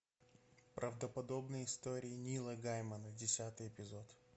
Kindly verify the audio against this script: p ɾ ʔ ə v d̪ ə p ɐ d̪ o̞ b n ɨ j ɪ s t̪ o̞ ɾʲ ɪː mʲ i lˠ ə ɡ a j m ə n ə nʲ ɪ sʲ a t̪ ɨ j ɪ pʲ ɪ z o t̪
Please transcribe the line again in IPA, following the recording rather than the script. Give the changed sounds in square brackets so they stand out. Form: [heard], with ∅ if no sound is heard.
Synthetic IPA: p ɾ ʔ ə v d̪ ə p ɐ d̪ o̞ b n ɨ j ɪ s t̪ o̞ ɾʲ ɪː [nʲ] i lˠ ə ɡ a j m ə n ə [dʲ] ɪ sʲ a t̪ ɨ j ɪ pʲ ɪ z o t̪